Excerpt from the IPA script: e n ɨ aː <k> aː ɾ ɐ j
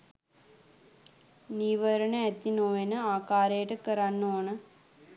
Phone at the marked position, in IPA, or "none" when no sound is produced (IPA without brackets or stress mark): k